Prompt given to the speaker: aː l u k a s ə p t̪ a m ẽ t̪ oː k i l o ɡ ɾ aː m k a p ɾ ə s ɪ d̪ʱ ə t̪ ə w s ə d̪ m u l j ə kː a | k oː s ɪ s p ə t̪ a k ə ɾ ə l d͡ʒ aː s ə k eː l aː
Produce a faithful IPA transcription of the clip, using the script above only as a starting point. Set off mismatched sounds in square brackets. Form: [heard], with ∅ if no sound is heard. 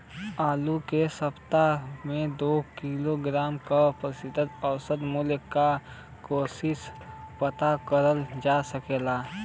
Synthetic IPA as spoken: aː l u k [e] s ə p t̪ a m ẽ [d̪] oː k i l o ɡ ɾ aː m k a p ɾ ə s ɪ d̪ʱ ə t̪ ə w s ə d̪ m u l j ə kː a | k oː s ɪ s p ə t̪ a k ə ɾ ə l d͡ʒ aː s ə k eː l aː